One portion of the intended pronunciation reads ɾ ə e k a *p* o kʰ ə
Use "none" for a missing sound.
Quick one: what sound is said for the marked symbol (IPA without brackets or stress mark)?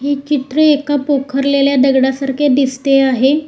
p